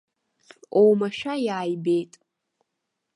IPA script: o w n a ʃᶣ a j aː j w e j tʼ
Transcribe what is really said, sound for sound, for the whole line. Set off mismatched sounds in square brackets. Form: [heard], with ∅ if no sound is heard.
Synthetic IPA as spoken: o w [m] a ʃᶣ a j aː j [b] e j tʼ